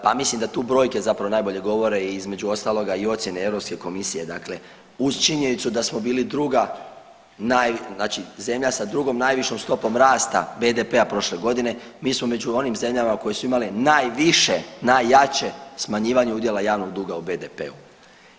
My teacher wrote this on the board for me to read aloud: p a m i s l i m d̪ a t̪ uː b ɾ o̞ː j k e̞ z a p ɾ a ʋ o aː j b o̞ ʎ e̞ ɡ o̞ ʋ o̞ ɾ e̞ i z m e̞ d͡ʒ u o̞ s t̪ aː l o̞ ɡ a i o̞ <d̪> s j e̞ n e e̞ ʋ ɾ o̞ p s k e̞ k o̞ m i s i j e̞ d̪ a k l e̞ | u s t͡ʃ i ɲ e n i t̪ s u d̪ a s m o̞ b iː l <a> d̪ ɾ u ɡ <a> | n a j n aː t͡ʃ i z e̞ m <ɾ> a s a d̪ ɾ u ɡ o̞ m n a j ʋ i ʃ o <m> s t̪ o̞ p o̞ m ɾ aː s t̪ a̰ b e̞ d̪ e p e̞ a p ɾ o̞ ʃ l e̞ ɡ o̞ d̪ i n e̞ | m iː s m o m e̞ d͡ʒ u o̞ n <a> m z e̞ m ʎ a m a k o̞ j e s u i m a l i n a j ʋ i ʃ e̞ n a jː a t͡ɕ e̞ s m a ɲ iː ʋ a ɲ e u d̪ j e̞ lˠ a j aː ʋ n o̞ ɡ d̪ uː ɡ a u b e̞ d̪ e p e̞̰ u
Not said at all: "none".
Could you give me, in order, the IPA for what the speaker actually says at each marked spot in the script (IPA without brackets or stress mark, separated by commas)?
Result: t̪, i, a, ʎ, m, i